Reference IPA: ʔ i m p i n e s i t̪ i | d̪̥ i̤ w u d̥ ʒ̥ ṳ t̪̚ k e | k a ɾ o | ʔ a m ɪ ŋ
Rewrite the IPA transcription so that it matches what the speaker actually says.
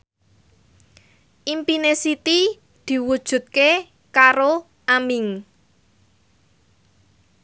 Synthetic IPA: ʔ i m p i n e s i t̪ i | d̪̥ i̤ w u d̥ ʒ̥ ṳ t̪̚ k e | k a ɾ o | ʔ a m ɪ ŋ